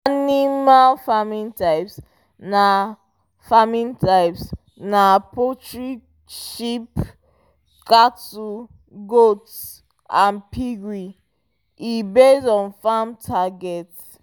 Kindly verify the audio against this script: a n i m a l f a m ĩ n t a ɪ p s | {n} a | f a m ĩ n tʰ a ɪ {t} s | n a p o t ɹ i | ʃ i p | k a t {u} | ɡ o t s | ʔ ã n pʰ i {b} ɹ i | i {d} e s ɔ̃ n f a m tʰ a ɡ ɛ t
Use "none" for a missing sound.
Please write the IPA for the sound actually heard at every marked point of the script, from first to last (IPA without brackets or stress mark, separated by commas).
n, p, u, ɡ, b